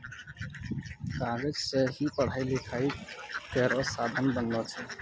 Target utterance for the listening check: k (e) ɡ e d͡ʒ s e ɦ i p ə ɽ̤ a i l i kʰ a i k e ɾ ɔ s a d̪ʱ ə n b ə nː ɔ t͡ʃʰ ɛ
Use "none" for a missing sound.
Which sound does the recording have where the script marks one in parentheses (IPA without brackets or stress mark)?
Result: a